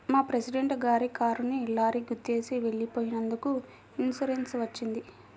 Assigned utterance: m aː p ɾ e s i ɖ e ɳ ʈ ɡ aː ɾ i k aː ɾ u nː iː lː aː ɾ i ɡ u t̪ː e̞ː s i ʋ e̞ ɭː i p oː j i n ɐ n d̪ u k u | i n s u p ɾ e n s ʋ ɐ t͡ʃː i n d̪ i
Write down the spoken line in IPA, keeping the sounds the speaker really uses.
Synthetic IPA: m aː p ɾ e s i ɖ e ɳ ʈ ɡ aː ɾ i k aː ɾ u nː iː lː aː ɾ i ɡ u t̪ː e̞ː s i ʋ e̞ ɭː i p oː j i n ɐ n d̪ u k u | i n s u ɾ e n s ʋ ɐ t͡ʃː i n d̪ i